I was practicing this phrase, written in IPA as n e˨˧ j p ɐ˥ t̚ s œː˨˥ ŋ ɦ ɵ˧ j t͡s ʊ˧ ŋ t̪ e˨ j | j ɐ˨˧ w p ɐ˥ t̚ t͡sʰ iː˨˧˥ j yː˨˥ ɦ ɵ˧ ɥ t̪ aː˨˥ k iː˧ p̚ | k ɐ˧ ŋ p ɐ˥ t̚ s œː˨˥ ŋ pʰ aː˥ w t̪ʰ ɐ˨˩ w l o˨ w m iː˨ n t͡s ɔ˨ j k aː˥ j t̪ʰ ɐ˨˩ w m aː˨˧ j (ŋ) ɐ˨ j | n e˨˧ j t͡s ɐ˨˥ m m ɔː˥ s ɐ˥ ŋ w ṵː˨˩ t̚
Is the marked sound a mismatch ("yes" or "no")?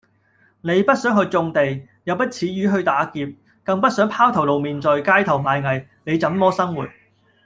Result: no